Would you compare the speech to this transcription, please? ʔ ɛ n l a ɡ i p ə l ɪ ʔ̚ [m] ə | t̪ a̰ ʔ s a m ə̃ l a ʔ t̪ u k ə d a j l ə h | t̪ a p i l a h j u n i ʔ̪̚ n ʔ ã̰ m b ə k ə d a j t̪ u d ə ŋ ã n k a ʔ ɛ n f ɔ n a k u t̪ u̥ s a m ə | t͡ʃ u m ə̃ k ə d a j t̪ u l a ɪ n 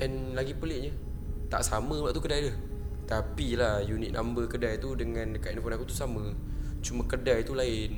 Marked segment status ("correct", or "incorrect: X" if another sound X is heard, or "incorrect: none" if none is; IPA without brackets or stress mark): incorrect: ɲ